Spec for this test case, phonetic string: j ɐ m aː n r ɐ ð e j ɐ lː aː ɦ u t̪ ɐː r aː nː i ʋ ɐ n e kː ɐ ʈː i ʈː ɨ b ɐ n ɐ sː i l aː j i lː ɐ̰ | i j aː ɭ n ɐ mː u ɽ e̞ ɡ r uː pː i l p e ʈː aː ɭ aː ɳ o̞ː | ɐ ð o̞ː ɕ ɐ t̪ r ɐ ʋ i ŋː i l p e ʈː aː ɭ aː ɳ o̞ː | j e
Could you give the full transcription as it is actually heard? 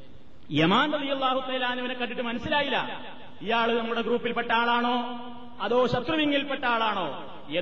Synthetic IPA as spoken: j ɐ m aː n r ɐ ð i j ɐ lː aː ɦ u t̪ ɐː l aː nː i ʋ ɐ n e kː ɐ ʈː i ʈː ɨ m ɐ n ɐ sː i l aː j i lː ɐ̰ | i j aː ɭ n ɐ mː u ɽ e̞ ɡ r uː pː i l p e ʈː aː ɭ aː ɳ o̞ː | ɐ ð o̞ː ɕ ɐ t̪ r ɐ ʋ i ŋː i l p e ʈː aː ɭ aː ɳ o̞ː | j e